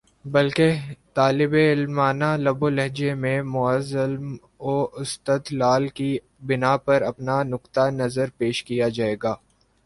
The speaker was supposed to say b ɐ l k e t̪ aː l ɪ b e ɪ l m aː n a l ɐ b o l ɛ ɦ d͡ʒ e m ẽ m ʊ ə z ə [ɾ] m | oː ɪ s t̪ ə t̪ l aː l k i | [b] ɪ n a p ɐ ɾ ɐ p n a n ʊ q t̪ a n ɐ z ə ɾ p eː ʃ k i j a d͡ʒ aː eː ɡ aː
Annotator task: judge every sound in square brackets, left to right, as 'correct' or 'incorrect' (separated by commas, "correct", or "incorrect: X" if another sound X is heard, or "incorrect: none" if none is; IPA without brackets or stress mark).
incorrect: l, correct